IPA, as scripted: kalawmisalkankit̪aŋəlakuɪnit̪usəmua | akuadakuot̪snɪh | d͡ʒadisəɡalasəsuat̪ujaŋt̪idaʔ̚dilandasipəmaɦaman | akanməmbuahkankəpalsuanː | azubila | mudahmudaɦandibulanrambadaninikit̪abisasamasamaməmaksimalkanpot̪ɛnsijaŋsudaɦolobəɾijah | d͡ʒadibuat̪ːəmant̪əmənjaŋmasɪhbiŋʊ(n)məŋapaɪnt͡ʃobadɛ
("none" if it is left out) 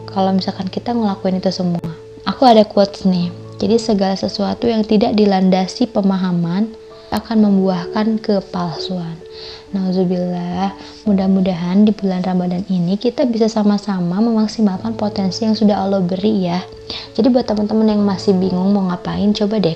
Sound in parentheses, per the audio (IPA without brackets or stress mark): ŋ